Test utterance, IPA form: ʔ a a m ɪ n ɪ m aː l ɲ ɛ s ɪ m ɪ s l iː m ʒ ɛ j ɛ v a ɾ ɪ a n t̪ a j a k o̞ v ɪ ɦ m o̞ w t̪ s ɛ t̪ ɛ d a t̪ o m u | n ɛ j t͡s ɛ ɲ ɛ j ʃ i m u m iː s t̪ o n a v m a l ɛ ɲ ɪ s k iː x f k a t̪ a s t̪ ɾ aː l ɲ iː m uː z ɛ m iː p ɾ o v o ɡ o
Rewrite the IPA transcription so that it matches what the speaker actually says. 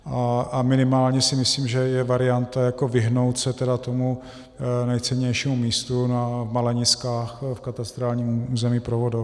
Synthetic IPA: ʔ a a m ɪ n ɪ m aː l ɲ ɛ s ɪ m ɪ s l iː m ʒ ɛ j ɛ v a ɾ ɪ a n t̪ a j a k o̞ v ɪ ɦ n o̞ w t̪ s ɛ t̪ ɛ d a t̪ o m u | n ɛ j t͡s ɛ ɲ ɛ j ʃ i m u m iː s t̪ u n a v m a l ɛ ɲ ɪ s k aː x f k a t̪ a s t̪ ɾ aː l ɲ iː m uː z ɛ m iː p ɾ o v o d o